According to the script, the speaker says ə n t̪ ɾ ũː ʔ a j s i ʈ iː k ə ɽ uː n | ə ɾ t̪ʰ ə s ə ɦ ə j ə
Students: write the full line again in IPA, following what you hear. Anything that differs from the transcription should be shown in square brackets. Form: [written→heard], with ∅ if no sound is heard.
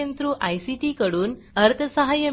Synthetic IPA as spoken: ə n t̪ ɾ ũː ʔ a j s i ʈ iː k ə ɽ uː n | ə ɾ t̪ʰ ə s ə ɦ [ə→a] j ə